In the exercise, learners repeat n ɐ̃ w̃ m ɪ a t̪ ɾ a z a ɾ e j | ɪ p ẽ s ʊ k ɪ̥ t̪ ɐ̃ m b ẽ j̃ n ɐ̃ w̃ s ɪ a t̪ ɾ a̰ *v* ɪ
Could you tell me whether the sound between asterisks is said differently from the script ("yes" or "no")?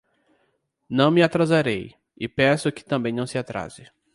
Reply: yes